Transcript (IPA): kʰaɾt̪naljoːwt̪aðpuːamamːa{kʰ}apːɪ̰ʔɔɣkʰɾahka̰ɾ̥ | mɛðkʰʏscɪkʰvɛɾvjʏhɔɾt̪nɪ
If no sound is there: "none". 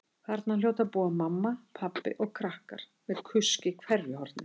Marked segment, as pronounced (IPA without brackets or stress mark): pʰ